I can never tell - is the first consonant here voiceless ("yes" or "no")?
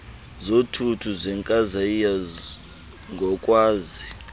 no